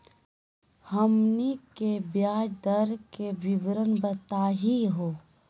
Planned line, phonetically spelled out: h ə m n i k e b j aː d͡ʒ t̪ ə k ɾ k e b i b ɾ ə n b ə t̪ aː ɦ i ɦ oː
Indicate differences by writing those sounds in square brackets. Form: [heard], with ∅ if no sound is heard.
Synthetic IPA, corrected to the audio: h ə m n i k e b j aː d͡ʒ [d̪] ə [∅] ɾ k e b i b ɾ ə n b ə t̪ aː ɦ i ɦ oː